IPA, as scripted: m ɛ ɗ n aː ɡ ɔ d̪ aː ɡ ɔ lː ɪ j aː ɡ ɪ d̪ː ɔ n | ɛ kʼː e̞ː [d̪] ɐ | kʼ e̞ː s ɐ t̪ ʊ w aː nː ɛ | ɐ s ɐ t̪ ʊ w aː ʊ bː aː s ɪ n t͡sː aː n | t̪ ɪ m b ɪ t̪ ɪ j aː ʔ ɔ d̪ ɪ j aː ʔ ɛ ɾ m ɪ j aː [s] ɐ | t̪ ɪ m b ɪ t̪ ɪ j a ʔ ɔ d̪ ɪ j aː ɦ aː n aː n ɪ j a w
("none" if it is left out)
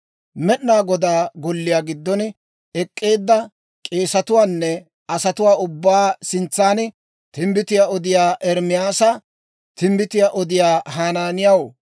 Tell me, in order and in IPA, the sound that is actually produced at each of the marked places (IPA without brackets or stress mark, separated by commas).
d̪ː, s